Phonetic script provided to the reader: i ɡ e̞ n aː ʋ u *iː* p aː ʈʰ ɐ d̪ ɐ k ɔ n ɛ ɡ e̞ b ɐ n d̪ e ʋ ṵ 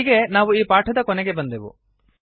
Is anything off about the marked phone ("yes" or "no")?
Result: no